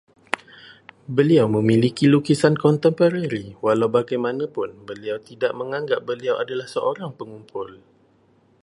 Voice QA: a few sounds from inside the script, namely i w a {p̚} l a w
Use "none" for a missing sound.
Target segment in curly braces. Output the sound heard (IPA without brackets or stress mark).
none